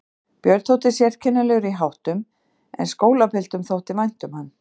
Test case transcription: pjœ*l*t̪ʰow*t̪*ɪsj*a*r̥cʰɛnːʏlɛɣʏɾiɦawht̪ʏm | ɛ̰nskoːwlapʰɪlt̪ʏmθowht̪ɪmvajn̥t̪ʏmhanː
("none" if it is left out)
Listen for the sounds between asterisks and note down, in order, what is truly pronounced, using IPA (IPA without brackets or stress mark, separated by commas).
ɾ, t̪, ɛ